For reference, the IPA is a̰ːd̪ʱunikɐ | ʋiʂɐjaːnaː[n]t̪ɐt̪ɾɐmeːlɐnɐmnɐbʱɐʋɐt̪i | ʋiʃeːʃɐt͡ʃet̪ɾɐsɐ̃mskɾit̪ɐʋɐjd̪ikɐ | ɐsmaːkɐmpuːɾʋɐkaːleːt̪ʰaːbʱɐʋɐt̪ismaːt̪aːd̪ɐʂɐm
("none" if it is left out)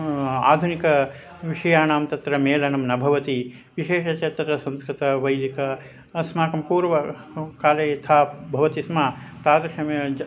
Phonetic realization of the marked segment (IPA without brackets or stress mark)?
m